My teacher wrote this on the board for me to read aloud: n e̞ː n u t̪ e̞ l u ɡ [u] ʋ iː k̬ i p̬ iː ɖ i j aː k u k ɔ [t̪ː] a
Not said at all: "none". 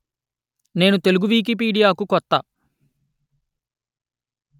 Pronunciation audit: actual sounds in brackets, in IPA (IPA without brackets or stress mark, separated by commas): u, t̪ː